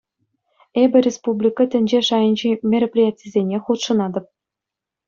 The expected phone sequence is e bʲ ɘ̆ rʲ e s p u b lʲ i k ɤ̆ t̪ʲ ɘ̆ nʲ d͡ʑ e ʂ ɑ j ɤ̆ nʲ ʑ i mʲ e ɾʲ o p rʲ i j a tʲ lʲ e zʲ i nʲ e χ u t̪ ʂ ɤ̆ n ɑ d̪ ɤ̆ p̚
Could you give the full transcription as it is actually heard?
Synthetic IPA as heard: e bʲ ɘ̆ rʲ e s p u b lʲ i k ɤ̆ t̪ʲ ɘ̆ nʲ d͡ʑ e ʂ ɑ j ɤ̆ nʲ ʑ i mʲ e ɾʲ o p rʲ i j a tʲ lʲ i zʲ e nʲ e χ u t̪ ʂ ɤ̆ n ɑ d̪ ɤ̆ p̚